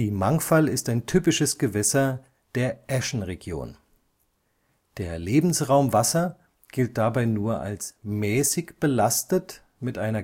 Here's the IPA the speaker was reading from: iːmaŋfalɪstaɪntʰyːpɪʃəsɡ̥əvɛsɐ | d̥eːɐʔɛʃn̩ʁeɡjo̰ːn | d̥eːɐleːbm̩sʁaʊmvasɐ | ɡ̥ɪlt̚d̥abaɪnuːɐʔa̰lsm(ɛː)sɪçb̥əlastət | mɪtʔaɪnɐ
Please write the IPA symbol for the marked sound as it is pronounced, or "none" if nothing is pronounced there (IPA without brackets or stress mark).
ɛː